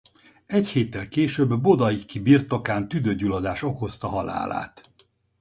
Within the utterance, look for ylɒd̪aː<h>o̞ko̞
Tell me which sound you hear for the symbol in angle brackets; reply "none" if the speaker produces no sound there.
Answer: ʃ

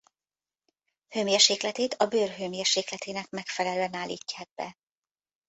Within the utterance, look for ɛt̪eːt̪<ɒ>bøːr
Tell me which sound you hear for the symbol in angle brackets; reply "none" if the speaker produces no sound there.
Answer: ɒ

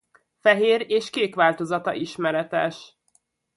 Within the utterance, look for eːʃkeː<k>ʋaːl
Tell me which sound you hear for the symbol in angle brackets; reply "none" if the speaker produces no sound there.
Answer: k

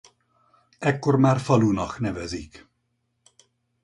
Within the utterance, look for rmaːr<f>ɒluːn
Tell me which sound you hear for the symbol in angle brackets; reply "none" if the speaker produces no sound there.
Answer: f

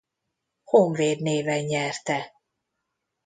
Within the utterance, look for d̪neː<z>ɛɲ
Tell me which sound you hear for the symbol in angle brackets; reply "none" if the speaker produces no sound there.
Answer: v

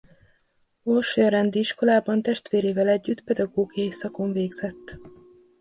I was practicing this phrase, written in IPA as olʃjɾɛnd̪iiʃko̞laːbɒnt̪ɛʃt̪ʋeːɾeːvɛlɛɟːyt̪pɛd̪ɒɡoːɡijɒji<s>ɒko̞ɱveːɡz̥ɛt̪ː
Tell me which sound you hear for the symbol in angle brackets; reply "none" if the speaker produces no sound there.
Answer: s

